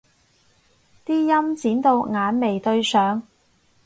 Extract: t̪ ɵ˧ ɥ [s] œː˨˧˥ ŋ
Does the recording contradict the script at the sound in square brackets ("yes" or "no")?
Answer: no